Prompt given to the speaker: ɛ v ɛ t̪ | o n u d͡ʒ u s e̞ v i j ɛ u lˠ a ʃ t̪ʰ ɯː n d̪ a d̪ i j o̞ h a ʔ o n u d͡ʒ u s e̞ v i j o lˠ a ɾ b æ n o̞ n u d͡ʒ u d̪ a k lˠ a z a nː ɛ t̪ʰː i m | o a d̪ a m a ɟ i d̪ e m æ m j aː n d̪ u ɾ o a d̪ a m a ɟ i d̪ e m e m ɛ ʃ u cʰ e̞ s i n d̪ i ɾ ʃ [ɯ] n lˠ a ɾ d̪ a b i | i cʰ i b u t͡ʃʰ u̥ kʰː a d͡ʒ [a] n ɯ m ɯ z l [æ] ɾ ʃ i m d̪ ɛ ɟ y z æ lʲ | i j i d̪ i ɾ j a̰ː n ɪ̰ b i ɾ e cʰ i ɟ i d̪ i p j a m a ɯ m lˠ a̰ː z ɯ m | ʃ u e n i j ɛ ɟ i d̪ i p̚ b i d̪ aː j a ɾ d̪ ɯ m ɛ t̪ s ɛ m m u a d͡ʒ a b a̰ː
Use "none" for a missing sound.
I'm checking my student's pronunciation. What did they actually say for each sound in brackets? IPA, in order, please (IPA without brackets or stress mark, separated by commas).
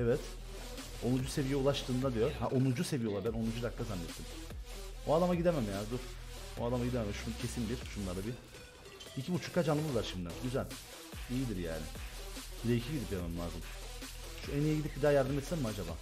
u, a, a